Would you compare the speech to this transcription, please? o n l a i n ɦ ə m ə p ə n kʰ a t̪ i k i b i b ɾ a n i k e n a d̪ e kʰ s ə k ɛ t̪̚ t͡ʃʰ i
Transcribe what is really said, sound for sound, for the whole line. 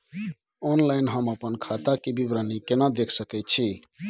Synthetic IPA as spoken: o n l a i n ɦ ə m ə p ə n kʰ a t̪ a k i b i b ɾ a n i k e n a d̪ e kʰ s ə k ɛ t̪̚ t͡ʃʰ i